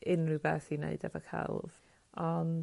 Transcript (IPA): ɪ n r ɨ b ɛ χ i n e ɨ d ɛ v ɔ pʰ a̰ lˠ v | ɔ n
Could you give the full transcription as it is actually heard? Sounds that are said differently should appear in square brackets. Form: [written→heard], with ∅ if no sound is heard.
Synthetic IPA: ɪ n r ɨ b ɛ [χ→θ] i n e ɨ d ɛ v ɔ [pʰ→kʰ] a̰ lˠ v | ɔ n

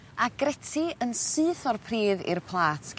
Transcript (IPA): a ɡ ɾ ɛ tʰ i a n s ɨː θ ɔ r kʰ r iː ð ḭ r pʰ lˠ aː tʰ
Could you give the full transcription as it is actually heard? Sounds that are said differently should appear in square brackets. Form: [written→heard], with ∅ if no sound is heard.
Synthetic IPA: a ɡ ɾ ɛ tʰ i [a→ə] n s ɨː θ ɔ r [kʰ→pʰ] r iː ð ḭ r pʰ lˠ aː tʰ

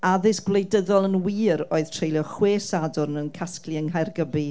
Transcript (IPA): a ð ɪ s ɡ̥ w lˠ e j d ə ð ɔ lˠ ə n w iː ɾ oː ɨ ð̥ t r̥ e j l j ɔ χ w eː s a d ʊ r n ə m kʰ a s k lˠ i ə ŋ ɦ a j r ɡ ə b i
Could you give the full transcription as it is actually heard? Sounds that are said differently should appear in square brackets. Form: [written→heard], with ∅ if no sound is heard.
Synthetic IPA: a ð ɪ s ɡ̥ w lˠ e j d ə ð ɔ lˠ ə n w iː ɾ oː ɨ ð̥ [t→tʰ] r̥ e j l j ɔ χ w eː s a d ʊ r n ə [m→n] kʰ a s k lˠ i ə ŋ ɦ a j r ɡ ə b i

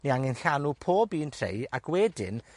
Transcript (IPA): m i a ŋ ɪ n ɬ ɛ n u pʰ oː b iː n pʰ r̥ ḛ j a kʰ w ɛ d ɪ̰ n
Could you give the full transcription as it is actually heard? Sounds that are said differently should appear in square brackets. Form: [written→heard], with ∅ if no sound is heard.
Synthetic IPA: [m→n] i a ŋ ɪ n ɬ [ɛ→a] n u pʰ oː b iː n [pʰ→tʰ] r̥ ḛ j a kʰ w ɛ d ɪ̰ n

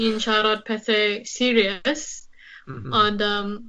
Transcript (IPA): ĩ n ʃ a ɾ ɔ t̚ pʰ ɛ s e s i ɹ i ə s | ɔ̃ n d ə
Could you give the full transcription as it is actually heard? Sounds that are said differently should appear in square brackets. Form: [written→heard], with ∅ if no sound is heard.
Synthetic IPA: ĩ n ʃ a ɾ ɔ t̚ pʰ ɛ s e s i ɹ i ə s | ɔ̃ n d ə

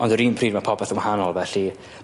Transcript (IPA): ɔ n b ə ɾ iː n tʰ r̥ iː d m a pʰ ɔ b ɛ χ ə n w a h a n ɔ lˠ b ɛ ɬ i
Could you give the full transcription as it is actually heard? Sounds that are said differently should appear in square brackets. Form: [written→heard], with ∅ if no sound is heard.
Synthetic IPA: ɔ n [b→d] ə ɾ iː n [tʰ→pʰ] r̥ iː d m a pʰ ɔ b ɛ [χ→θ] ə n w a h a n ɔ lˠ [b→v] ɛ ɬ i

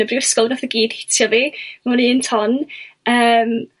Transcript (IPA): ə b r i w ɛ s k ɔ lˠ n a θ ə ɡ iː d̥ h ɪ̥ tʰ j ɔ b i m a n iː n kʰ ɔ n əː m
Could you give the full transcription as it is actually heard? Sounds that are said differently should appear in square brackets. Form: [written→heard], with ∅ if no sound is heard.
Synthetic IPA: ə b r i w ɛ s k ɔ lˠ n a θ ə ɡ iː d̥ h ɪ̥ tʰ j ɔ [b→v] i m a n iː n [kʰ→tʰ] ɔ n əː m

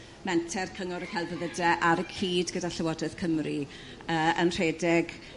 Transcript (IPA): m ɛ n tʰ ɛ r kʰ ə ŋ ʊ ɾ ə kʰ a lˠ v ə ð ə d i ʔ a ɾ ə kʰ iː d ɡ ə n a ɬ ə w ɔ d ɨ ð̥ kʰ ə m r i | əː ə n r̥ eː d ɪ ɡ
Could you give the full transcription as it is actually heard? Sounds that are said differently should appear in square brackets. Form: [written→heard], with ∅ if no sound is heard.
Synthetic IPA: m ɛ n tʰ ɛ r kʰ ə ŋ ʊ ɾ ə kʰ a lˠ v ə ð ə d [i→ɛ] ʔ a ɾ ə kʰ iː d ɡ ə [n→d] a ɬ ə w ɔ d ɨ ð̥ kʰ ə m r i | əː ə n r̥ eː d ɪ ɡ

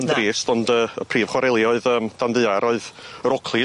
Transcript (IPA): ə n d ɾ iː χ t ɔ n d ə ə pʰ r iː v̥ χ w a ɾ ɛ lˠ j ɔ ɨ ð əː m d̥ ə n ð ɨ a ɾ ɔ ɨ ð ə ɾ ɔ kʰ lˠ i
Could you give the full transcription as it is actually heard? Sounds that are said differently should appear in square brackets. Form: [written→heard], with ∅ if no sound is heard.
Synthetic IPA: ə n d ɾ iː [χ→s] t ɔ n d ə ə pʰ r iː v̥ χ w a ɾ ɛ lˠ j ɔ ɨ ð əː m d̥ [ə→a] n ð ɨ a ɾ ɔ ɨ ð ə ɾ ɔ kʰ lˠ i

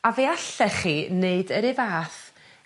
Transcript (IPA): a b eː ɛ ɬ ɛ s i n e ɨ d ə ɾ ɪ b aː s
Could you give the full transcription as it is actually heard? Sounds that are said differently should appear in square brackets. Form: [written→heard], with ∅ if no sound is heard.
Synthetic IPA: a [b→v] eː [ɛ→a] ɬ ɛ [s→χ] i n e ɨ d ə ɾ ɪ [b→v] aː [s→θ]

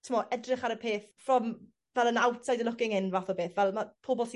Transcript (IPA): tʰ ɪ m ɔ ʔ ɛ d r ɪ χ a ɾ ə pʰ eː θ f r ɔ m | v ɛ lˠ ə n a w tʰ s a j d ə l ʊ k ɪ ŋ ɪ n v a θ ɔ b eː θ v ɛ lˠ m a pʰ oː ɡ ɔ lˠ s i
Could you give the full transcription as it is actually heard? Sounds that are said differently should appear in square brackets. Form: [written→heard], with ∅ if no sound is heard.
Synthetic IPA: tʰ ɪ m ɔ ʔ ɛ d r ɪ χ a ɾ ə pʰ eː θ f r ɔ m | v ɛ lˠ ə n a w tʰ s a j d ə l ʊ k ɪ ŋ ɪ n v a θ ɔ b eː θ v ɛ lˠ m a pʰ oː [ɡ→b] ɔ lˠ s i

